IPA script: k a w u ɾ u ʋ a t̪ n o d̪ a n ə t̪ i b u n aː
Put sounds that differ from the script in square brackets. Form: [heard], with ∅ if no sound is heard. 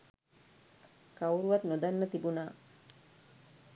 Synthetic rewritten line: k a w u ɾ u ʋ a t̪ n o d̪ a [nː] ə t̪ i b u n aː